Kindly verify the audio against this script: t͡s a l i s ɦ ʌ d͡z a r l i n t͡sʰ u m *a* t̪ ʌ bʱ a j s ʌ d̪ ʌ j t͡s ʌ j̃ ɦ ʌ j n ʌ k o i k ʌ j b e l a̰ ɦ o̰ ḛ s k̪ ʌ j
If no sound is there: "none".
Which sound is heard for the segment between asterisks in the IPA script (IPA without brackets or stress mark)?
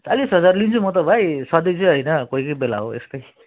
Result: ʌ